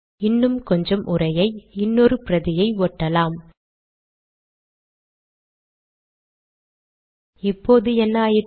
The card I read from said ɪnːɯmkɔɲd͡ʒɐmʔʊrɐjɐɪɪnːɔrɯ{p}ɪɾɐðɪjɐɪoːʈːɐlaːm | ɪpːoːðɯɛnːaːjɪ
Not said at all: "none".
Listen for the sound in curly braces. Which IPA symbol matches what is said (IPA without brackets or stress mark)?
p